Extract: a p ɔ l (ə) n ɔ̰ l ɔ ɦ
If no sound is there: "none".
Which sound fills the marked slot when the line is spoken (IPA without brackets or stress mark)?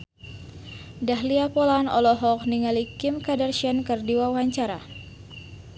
a